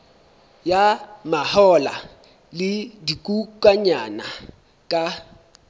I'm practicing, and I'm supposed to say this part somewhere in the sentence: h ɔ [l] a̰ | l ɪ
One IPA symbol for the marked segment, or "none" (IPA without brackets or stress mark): l